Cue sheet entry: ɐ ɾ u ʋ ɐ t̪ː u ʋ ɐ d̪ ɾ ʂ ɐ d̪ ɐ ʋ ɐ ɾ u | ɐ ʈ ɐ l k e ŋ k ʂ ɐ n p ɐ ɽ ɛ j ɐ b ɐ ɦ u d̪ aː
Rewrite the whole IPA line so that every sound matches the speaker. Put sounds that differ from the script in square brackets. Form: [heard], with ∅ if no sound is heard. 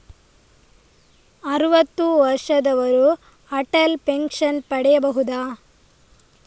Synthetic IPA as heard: ɐ ɾ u ʋ ɐ t̪ː u ʋ ɐ [∅] ɾ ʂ ɐ d̪ ɐ ʋ ɐ ɾ u | ɐ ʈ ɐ l [p] e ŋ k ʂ ɐ n p ɐ ɽ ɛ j ɐ b ɐ ɦ u d̪ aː